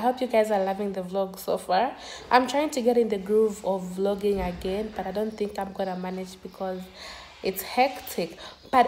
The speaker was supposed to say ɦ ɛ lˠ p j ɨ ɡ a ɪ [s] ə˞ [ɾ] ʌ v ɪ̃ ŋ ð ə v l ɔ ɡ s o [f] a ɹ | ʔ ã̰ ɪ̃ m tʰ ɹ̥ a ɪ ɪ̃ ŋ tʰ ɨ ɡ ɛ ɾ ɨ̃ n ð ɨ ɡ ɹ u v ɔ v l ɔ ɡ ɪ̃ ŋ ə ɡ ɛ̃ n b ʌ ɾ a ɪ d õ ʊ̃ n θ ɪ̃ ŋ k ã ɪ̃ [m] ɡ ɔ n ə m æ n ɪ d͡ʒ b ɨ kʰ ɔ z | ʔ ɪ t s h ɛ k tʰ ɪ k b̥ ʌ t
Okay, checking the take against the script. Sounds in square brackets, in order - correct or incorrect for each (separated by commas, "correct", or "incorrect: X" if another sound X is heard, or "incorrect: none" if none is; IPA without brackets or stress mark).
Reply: incorrect: z, incorrect: l, correct, correct